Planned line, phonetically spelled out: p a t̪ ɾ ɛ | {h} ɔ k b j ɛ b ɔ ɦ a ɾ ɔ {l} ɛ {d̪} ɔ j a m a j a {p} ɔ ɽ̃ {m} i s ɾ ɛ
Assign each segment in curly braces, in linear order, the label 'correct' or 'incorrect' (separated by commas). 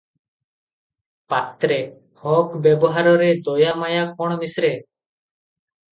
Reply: correct, incorrect, correct, incorrect, correct